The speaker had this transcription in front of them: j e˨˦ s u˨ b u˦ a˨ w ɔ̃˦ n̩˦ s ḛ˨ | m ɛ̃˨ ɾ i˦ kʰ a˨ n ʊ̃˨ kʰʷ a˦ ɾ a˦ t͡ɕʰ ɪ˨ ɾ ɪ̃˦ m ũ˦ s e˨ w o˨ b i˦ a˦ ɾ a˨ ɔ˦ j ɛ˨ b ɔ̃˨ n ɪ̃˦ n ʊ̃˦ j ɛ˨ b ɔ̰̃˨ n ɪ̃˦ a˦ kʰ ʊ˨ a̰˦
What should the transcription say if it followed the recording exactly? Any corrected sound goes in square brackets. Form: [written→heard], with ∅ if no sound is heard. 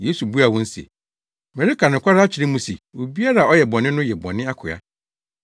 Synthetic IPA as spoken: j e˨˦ s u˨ b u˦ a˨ w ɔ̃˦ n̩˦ s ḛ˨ | m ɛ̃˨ ɾ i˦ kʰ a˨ n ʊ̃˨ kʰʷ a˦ ɾ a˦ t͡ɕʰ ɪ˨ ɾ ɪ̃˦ m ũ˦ s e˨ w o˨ b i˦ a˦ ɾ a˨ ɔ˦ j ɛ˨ b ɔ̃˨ n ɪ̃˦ n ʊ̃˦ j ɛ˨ b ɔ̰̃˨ n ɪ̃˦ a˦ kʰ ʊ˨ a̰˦